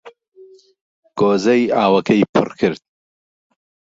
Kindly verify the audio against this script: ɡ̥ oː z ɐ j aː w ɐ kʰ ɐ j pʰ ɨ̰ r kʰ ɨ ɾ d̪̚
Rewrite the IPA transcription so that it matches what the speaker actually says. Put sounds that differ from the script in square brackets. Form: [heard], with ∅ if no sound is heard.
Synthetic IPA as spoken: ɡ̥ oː z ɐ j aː w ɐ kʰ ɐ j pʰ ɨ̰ r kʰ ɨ ɾ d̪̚